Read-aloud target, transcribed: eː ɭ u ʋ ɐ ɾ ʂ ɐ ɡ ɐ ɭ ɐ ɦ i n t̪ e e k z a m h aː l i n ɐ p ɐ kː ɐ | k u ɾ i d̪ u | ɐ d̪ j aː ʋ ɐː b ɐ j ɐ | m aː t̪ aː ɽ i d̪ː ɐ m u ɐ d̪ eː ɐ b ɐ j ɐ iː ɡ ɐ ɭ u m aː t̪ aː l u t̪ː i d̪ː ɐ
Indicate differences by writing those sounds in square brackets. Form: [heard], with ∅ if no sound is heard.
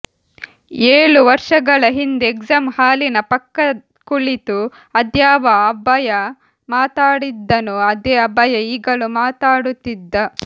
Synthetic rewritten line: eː ɭ u ʋ ɐ ɾ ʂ ɐ ɡ ɐ ɭ ɐ ɦ i n [d̪] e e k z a m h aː l i n ɐ p ɐ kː ɐ | k u [ɭ] i [t̪] u | ɐ d̪ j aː ʋ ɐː b ɐ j ɐ | m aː t̪ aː ɽ i d̪ː ɐ [n] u ɐ d̪ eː ɐ b ɐ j ɐ iː ɡ ɐ ɭ u m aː t̪ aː [ɽ] u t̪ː i d̪ː ɐ